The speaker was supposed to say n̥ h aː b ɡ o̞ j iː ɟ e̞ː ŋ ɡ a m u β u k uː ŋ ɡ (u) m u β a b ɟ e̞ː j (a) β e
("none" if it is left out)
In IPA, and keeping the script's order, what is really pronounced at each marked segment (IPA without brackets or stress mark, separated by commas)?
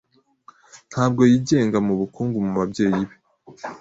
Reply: u, i